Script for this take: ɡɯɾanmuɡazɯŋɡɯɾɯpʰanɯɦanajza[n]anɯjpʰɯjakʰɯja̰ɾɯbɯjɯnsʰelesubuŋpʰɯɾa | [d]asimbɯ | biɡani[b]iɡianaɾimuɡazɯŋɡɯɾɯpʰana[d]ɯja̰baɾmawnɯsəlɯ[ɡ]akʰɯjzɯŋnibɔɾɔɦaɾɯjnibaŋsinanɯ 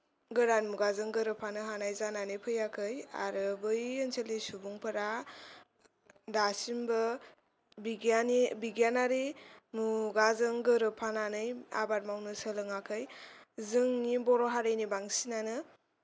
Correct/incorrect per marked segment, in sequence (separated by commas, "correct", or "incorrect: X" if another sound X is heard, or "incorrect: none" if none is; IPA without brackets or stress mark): correct, correct, correct, incorrect: n, incorrect: ŋ